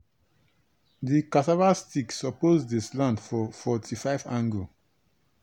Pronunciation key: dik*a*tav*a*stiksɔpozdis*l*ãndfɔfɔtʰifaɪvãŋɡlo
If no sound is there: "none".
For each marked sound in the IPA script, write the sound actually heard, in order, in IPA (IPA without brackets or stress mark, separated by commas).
a, a, l